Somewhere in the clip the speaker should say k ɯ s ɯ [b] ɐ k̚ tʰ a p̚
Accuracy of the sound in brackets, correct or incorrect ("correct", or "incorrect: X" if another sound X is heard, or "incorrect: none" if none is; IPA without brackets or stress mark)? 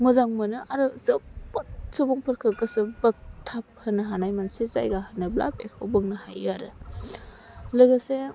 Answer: correct